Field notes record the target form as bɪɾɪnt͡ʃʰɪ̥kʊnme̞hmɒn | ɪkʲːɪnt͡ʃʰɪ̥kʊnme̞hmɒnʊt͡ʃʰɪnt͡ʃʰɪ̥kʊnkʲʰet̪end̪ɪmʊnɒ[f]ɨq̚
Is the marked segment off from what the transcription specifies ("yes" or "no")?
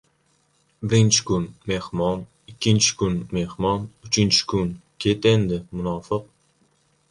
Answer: no